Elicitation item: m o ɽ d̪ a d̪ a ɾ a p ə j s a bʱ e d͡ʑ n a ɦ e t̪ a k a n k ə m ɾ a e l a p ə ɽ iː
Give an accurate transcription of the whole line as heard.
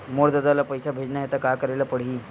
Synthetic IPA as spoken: m o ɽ d̪ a d̪ a l a p ə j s a bʱ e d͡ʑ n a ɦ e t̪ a k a k ə ɾ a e l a p ə ɽ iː